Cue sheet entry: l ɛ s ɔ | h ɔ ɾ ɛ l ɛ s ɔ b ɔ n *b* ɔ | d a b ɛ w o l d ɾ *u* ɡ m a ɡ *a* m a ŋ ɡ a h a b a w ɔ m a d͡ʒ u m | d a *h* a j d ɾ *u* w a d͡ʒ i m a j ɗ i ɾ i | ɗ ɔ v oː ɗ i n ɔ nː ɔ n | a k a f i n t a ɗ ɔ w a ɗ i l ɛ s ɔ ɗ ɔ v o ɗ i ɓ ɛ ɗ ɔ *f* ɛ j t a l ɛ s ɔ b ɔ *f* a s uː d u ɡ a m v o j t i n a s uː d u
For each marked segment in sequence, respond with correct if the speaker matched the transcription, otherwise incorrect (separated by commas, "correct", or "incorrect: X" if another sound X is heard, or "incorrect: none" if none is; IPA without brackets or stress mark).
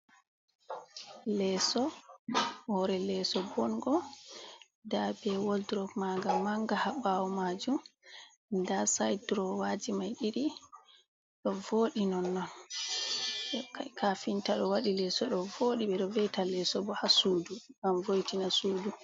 incorrect: ɡ, incorrect: ɔ, correct, incorrect: s, incorrect: ɔ, incorrect: v, incorrect: h